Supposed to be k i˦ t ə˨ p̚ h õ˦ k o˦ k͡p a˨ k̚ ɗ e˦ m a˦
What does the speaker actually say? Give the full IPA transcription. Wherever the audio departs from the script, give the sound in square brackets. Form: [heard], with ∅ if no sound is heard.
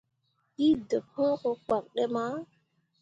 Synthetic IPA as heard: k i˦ [d] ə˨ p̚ h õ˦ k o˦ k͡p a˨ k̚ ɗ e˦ m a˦